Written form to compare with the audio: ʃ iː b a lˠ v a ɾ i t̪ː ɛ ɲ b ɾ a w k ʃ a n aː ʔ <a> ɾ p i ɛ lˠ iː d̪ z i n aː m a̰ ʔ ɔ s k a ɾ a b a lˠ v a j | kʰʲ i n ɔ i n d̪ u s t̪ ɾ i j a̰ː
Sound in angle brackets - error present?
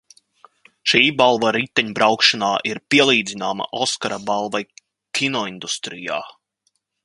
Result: yes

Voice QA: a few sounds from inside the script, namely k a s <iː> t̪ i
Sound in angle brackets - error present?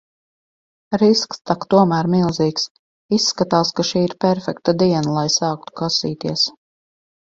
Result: no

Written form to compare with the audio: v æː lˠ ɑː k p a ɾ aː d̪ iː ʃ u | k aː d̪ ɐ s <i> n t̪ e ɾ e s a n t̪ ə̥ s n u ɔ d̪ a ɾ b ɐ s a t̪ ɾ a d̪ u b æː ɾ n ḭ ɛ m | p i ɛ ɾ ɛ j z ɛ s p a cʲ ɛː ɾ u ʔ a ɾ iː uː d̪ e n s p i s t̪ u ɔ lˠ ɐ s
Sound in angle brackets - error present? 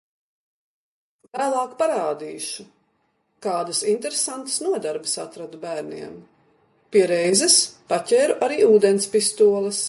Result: no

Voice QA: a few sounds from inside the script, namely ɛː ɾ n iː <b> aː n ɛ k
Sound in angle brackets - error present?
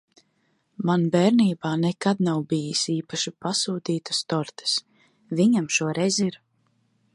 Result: no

